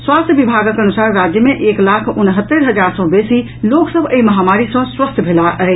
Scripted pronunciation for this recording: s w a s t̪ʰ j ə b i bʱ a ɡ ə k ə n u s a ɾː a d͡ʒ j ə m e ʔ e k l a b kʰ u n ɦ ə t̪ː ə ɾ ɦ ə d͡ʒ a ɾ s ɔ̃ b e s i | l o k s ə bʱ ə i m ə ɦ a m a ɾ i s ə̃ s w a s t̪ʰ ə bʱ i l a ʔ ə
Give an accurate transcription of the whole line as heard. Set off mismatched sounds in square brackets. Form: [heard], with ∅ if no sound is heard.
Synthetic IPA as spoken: s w a s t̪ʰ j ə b i bʱ a ɡ ə k ə n u s a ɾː a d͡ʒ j ə m e ʔ e k l a [∅] kʰ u n ɦ ə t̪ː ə ɾ ɦ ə d͡ʒ a ɾ s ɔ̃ b e s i | l o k s ə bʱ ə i m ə ɦ a m a ɾ i s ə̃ s w [ə] s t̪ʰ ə bʱ [e] l a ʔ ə